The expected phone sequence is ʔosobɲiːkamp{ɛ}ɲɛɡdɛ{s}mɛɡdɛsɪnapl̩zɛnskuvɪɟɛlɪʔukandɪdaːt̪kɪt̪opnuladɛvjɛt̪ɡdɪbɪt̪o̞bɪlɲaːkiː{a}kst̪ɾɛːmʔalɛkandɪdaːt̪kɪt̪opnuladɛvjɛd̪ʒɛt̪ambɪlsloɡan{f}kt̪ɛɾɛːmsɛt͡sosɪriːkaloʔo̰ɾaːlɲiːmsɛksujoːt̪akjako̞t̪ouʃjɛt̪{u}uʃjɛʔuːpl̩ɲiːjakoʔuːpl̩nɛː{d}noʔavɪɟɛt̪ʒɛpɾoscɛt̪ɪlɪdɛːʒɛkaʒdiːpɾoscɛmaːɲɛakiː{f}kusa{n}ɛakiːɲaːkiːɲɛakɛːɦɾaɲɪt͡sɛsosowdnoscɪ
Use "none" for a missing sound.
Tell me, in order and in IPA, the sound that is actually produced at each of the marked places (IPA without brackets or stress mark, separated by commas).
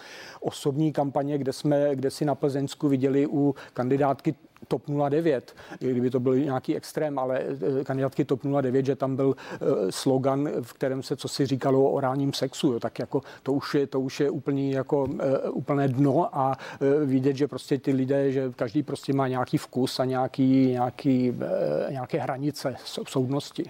a, s, ɛ, f, o, d, f, ɲ